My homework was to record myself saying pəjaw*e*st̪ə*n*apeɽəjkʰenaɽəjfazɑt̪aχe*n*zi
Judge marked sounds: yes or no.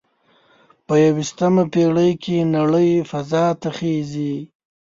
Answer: no, no, no

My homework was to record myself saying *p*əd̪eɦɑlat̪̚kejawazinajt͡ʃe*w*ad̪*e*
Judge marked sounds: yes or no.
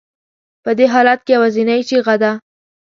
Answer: yes, no, no

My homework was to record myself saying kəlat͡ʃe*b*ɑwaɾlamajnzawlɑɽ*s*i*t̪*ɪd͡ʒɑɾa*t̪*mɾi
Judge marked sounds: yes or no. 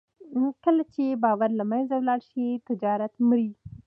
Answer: yes, no, yes, yes

